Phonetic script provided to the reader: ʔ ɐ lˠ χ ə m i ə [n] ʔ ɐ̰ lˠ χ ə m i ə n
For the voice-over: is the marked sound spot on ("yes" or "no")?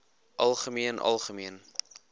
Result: yes